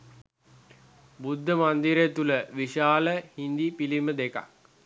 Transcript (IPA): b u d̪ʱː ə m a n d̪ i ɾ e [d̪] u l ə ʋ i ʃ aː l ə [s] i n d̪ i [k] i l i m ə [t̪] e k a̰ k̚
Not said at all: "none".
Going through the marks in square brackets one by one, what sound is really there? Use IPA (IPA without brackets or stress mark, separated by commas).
t̪, h, p, d̪